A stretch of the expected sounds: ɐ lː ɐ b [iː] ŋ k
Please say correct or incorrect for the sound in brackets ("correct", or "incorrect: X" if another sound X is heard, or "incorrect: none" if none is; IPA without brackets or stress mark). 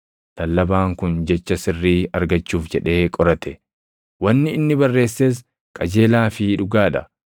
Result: incorrect: aː